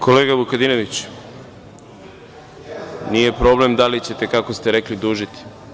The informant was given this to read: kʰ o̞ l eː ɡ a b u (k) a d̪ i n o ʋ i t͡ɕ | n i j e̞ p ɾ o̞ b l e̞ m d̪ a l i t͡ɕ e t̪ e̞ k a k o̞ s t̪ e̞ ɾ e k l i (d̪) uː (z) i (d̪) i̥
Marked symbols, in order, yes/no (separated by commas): yes, yes, no, no